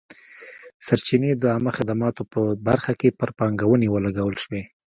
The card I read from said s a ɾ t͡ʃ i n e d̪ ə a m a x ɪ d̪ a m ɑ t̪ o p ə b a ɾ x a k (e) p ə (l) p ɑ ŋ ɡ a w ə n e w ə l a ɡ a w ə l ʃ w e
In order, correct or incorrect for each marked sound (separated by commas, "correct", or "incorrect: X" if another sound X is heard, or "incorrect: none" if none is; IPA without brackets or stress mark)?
correct, incorrect: ɾ